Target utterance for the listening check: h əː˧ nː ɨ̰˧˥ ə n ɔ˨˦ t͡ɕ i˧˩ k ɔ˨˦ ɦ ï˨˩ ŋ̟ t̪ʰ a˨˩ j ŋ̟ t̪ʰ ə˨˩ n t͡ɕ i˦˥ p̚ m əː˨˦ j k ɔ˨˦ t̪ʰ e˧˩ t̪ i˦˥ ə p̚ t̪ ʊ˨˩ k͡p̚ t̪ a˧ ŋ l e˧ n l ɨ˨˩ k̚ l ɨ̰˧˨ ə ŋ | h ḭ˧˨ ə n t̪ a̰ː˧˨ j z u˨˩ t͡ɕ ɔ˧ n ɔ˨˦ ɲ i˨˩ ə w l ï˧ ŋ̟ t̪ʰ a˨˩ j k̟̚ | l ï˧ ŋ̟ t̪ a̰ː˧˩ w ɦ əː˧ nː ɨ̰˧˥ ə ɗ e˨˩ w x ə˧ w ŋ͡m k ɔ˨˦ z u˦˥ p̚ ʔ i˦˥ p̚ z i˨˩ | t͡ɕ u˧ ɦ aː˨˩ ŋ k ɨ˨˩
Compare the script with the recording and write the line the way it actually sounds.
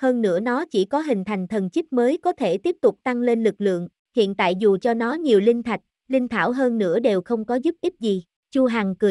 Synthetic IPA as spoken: h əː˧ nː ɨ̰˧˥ ə n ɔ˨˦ t͡ɕ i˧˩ k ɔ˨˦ ɦ ï˨˩ ŋ̟ t̪ʰ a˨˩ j ŋ̟ t̪ʰ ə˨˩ n t͡ɕ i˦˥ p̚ m əː˨˦ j k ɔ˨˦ t̪ʰ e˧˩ t̪ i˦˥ ə p̚ t̪ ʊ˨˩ k͡p̚ t̪ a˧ ŋ l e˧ n l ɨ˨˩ k̚ l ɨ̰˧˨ ə ŋ | h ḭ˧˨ ə n t̪ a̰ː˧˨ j z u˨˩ t͡ɕ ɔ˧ n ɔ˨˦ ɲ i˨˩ ə w l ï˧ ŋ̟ t̪ʰ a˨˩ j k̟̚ | l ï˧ ŋ̟ t̪ʰ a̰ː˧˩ w ɦ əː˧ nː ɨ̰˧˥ ə ɗ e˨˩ w x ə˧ w ŋ͡m k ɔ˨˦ z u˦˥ p̚ ʔ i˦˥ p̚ z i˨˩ | t͡ɕ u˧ ɦ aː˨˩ ŋ k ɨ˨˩

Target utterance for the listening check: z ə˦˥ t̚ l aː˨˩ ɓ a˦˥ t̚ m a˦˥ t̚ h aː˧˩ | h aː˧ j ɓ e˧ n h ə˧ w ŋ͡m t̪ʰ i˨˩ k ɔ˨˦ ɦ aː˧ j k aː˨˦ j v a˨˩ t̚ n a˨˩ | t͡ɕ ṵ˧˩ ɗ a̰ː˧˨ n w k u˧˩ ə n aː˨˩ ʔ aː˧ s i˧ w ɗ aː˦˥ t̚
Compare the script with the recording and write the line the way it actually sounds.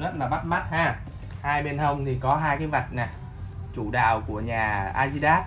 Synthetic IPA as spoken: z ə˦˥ t̚ l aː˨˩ ɓ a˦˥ t̚ m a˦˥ t̚ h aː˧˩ | h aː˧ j ɓ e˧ n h ə˧ w ŋ͡m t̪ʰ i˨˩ k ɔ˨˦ ɦ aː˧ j k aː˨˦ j v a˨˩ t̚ n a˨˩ | t͡ɕ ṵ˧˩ ɗ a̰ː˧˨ w k u˧˩ ə ɲ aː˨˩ ʔ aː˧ z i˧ ɗ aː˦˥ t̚

